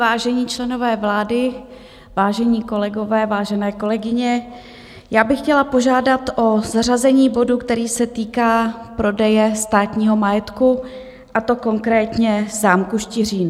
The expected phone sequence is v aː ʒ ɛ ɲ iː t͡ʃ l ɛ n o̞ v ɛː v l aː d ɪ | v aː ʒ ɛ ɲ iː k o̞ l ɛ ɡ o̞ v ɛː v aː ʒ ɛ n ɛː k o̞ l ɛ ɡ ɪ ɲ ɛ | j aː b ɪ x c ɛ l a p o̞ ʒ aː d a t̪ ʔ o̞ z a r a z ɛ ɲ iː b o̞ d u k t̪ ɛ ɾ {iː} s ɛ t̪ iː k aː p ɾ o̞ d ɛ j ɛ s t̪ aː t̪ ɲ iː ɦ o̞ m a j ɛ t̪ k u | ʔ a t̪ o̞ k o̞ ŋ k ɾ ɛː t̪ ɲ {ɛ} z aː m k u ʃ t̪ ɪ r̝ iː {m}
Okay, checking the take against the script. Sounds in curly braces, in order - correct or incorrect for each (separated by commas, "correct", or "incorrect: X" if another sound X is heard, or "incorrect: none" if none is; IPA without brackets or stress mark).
correct, correct, incorrect: n